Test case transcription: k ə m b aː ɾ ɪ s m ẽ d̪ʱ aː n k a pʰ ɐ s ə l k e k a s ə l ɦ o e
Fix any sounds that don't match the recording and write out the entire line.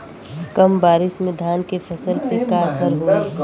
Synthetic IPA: k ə m b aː ɾ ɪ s m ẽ d̪ʱ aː n k e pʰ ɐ s ə l p e k a s ə ɾ ɦ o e